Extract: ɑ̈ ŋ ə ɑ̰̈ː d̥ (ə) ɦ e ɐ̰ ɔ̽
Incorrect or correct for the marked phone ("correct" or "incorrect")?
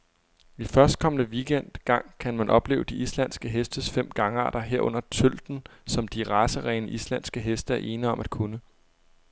incorrect